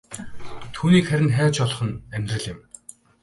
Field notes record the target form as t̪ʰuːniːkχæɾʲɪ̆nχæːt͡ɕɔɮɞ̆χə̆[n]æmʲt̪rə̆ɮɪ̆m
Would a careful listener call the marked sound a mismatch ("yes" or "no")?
no